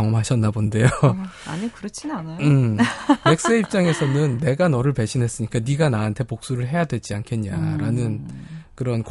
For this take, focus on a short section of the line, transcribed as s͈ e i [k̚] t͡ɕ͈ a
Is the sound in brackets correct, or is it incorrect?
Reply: incorrect